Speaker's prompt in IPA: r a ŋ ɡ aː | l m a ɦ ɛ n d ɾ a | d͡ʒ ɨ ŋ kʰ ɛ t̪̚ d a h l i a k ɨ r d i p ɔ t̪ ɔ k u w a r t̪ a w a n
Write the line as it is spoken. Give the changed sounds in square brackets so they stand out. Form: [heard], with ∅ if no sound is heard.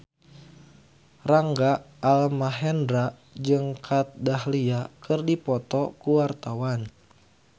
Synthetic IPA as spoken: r a ŋ ɡ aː | l m a ɦ ɛ n d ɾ a | d͡ʒ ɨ ŋ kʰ [a] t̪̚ d a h l i a k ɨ r d i p ɔ t̪ ɔ k u w a r t̪ a w a n